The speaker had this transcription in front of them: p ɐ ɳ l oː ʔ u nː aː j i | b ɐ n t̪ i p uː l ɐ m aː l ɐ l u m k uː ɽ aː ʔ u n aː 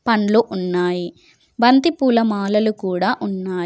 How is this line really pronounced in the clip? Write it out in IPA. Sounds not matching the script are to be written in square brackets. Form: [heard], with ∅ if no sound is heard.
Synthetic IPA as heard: p ɐ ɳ l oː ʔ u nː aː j i | b ɐ n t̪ i p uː l ɐ m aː l ɐ l u [∅] k uː ɽ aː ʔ u [nː] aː

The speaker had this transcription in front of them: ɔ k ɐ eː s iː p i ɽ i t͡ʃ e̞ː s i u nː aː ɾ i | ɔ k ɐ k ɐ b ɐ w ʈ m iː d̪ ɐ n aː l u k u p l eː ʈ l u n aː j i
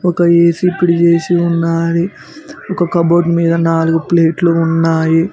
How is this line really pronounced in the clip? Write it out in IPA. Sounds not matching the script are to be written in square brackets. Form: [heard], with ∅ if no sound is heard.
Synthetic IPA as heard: ɔ k ɐ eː s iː p i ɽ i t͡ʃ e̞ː s i u nː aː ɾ i | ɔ k ɐ k ɐ b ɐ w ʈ m iː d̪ ɐ n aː l u [ɡ] u p l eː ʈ l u [nː] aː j i

